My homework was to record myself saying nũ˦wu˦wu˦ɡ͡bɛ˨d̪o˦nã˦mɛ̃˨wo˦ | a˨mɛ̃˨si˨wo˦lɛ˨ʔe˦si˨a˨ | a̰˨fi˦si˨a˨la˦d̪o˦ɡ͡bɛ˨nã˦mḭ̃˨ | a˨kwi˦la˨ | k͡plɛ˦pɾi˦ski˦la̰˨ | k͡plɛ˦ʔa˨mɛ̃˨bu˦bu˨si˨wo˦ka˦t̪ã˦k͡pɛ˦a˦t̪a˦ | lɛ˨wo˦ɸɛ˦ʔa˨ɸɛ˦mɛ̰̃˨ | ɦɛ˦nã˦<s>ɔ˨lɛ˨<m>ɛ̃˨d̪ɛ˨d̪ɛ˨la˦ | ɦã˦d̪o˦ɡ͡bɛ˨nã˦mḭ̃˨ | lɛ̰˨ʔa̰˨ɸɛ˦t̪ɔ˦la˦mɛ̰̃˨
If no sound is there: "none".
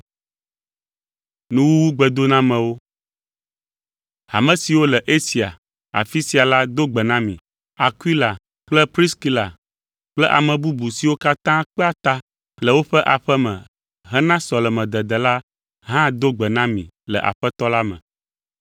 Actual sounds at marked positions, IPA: s, m

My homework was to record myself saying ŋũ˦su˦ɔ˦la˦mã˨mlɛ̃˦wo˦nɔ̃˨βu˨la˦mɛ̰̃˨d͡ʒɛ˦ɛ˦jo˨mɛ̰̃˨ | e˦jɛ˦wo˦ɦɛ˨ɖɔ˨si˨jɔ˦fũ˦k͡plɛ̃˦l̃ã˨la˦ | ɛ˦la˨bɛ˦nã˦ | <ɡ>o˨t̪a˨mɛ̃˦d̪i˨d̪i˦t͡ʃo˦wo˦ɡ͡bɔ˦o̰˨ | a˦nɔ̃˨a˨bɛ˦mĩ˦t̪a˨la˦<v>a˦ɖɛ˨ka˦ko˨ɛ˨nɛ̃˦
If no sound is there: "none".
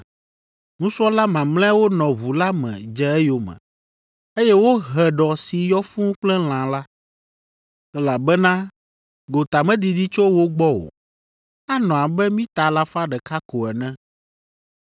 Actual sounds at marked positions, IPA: ɡ, f

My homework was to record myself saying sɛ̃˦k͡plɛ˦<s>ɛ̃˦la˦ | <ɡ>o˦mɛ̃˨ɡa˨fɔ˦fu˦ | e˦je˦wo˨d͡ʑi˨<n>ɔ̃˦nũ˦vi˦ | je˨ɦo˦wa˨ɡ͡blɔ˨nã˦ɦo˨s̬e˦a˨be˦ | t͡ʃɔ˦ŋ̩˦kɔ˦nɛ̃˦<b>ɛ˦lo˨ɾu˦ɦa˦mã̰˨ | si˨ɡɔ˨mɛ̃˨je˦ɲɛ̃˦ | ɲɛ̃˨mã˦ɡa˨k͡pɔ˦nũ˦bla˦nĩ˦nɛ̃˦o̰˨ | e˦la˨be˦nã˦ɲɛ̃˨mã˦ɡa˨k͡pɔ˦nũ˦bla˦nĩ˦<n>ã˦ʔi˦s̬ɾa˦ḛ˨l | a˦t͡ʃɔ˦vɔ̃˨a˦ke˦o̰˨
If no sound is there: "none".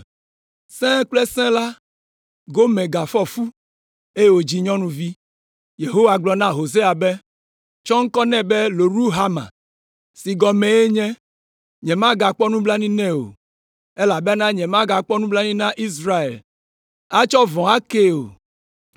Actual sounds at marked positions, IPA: s, ɡ, ɲ, b, n

